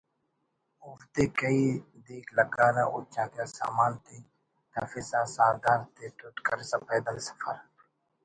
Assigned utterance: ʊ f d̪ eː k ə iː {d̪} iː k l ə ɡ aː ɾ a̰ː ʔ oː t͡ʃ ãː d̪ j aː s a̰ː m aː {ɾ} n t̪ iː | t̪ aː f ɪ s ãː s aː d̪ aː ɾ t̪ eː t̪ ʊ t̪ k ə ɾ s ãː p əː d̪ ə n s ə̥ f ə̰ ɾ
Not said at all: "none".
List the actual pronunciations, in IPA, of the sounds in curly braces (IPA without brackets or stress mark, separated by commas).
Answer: d̪, none